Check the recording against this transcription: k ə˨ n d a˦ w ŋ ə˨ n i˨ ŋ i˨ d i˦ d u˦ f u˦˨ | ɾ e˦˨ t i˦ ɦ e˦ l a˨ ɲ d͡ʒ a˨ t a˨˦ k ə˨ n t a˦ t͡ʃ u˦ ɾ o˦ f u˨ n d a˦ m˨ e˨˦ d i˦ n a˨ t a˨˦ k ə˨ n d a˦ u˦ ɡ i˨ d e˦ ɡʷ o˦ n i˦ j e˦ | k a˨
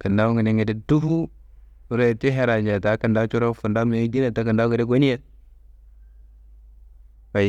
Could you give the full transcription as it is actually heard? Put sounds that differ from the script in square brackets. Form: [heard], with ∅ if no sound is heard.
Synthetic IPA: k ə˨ n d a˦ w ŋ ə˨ n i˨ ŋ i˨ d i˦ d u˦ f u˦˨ | ɾ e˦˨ t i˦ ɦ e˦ [ɾ] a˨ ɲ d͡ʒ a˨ t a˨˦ k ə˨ n [d] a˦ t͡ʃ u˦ ɾ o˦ f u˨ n d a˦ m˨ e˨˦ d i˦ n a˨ t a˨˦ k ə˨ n d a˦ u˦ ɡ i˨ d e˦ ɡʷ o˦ n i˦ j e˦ | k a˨